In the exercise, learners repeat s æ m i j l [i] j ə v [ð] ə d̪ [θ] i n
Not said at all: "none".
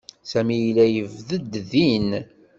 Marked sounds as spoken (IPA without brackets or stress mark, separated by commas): æ, ð, ð